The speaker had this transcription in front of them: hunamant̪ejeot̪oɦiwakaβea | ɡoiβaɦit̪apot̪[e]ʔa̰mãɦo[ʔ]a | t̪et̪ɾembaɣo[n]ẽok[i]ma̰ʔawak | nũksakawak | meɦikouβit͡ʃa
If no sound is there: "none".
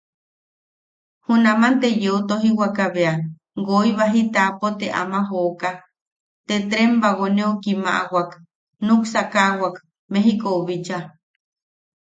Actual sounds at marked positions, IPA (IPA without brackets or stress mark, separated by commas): e, k, n, i